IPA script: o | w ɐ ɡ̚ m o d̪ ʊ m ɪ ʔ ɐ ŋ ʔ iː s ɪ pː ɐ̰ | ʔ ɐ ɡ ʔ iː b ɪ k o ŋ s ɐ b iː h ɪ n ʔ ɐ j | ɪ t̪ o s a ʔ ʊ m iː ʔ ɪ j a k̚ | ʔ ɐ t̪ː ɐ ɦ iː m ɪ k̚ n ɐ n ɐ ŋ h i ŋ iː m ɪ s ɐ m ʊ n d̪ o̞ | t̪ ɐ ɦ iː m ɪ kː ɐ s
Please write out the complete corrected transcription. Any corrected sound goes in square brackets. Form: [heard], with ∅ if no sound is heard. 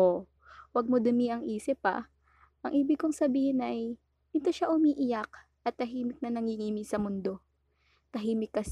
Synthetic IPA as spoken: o | w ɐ ɡ̚ m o d̪ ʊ m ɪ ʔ ɐ ŋ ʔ iː s ɪ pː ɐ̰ | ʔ ɐ [ŋ] ʔ iː b ɪ k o ŋ s ɐ b iː h ɪ n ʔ ɐ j | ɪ t̪ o [ʃ] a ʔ ʊ m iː ʔ ɪ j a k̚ | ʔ ɐ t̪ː ɐ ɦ iː m ɪ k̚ n ɐ n ɐ ŋ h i ŋ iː m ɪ s ɐ m ʊ n d̪ o̞ | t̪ ɐ ɦ iː m ɪ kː ɐ s